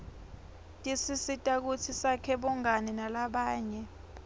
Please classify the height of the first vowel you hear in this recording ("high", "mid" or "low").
high